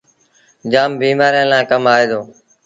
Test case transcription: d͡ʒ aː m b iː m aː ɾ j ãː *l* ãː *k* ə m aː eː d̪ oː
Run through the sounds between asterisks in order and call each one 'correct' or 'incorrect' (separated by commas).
correct, correct